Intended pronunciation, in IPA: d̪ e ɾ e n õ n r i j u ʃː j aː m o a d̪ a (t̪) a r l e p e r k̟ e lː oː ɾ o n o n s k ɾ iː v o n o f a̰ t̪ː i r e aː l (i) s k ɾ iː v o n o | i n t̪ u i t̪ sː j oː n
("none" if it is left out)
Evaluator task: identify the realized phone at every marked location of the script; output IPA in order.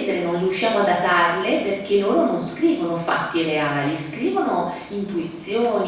t̪, i

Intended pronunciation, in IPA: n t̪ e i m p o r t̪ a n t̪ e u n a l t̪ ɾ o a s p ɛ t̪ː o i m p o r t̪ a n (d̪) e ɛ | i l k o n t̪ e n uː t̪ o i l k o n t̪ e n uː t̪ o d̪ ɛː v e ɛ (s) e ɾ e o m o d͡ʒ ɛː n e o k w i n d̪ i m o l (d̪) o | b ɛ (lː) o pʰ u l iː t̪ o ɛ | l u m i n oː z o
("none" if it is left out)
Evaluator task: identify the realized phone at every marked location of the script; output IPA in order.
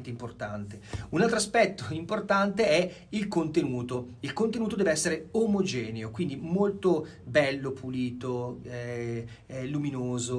t̪, sː, t̪, lː

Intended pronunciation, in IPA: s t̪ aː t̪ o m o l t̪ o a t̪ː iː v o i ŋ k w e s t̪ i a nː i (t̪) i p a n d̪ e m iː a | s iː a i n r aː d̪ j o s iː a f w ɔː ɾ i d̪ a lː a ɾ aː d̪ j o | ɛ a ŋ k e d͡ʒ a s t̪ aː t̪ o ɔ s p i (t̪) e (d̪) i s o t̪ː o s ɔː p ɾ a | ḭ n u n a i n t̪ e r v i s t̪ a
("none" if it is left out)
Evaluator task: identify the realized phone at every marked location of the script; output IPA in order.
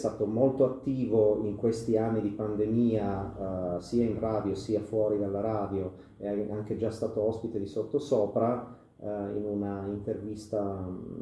d̪, t̪, d̪

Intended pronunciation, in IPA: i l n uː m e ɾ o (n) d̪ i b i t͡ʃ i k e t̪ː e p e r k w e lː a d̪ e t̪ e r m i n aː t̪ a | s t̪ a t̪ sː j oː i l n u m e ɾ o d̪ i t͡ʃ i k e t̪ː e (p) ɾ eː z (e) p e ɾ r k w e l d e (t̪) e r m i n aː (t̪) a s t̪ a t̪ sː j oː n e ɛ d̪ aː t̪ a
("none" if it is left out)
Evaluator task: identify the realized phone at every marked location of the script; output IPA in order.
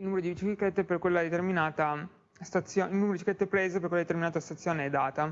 none, p, e, t̪, t̪

